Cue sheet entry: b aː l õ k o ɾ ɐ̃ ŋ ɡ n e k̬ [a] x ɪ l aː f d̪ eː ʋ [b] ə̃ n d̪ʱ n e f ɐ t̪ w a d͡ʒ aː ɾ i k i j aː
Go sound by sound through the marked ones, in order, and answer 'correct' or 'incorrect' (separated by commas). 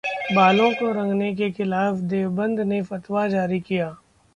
incorrect, correct